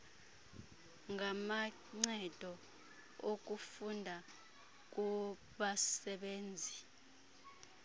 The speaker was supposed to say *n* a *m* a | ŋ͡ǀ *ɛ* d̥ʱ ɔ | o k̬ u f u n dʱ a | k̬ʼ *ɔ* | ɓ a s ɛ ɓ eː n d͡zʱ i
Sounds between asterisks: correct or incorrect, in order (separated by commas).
incorrect, correct, correct, incorrect